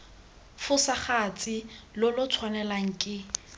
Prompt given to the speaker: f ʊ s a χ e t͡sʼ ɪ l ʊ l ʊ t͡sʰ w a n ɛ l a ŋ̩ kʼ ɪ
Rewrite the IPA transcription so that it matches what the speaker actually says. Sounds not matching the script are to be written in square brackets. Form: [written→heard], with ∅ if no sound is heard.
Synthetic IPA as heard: f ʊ s a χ [e→a] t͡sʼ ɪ l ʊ l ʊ t͡sʰ w a n ɛ l a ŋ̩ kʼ ɪ